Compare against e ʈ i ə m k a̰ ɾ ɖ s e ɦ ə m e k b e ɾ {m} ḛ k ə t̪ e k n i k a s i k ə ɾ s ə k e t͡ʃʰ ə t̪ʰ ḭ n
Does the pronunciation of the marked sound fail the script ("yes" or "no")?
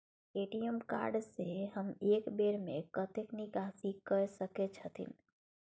no